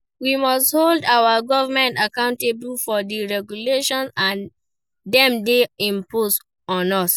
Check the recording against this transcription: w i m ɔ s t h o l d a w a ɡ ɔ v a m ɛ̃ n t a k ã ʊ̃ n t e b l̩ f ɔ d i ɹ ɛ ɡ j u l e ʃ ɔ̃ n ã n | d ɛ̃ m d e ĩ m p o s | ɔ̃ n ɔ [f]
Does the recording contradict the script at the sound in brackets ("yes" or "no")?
yes